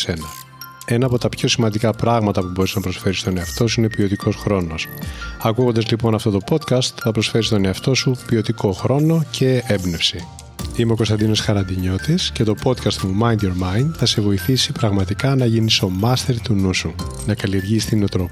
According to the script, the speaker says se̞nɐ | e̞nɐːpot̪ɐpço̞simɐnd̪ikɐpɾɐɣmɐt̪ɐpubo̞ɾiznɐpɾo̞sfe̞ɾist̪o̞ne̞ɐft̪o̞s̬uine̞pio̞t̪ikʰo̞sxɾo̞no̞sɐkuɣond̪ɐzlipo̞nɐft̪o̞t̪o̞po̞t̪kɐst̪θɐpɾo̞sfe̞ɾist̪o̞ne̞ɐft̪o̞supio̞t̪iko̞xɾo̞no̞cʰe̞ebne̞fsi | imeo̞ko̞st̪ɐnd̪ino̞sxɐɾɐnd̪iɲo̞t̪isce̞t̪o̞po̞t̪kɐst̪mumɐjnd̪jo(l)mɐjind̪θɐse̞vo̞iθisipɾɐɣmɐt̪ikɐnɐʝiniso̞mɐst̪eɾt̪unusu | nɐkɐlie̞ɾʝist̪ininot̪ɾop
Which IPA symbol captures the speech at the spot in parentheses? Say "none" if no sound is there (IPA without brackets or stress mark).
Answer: ɾ